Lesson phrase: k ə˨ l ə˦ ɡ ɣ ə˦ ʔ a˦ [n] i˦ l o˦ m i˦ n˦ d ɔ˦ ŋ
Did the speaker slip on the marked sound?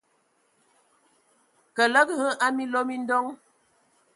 yes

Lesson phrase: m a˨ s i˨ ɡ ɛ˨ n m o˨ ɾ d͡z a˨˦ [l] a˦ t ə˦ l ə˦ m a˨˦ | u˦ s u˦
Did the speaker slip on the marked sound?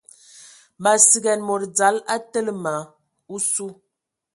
no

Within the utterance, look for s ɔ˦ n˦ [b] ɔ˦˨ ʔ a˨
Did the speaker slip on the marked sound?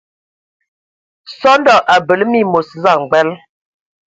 yes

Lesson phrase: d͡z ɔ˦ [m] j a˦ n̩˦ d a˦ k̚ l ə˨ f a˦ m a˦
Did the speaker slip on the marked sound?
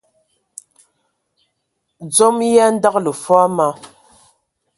no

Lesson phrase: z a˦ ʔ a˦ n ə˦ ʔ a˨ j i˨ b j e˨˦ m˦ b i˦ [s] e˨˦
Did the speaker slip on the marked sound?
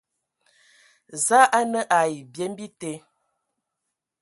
yes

